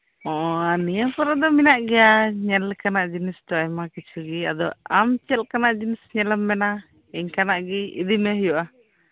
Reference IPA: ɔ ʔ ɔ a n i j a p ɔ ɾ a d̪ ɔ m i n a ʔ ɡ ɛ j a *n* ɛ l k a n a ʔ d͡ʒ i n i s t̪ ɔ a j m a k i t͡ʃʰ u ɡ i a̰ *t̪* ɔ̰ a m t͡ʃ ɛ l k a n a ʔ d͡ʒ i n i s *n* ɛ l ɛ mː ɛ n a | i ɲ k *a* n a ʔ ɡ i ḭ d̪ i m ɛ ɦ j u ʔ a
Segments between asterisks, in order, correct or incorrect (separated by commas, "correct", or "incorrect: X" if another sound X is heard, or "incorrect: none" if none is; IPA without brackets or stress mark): incorrect: ɲ, incorrect: d̪, incorrect: ɲ, correct